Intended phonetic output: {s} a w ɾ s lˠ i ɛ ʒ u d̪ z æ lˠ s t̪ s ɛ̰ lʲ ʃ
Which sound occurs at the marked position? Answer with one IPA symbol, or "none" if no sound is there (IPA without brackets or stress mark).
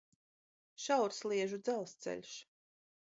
ʃ